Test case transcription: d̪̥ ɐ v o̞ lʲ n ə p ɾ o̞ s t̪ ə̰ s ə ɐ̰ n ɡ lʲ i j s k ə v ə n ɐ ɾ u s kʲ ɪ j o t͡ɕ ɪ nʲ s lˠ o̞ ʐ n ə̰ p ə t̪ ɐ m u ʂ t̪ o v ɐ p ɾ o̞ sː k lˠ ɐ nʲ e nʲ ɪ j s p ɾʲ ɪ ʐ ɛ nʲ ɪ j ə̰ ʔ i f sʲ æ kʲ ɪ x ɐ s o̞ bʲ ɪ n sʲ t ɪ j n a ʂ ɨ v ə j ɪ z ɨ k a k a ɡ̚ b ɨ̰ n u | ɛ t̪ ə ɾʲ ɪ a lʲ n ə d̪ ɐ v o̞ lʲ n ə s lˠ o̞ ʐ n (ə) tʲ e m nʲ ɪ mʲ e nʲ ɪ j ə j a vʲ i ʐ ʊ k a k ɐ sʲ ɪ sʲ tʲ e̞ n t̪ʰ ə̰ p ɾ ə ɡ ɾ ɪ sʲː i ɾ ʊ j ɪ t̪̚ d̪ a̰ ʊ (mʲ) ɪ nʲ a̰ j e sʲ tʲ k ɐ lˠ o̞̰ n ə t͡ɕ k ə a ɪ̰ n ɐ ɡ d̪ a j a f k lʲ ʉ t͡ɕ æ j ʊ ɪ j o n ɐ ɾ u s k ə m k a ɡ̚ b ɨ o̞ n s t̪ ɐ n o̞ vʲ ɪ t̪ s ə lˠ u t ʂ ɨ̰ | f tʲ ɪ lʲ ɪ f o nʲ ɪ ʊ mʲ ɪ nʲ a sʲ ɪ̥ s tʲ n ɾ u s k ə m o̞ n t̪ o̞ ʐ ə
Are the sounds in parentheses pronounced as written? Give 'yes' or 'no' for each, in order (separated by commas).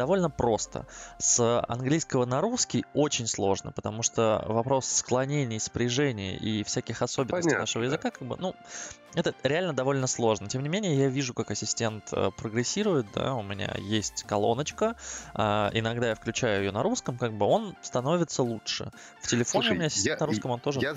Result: yes, yes